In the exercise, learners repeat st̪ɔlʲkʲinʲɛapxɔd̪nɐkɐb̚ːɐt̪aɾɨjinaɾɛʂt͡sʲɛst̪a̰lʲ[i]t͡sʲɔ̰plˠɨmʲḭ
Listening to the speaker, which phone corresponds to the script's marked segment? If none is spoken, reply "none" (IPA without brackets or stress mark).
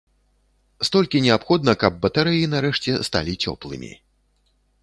i